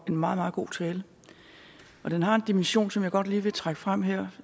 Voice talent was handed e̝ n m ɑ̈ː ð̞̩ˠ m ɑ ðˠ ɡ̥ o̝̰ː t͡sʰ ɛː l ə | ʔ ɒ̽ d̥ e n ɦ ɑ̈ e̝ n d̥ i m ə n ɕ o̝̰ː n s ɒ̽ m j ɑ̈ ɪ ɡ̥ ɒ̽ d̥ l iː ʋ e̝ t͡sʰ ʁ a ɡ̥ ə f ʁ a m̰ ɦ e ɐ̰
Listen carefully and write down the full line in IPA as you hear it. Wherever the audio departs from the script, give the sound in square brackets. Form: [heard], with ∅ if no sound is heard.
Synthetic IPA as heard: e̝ n m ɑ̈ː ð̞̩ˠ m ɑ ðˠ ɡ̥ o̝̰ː t͡sʰ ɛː l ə | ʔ ɒ̽ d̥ e n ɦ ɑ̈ e̝ n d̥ i m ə n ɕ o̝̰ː n s ɒ̽ m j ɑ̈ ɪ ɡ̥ ɒ̽ d̥ l iː ʋ e̝ t͡sʰ ʁ a ɡ̥ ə f ʁ a m̰ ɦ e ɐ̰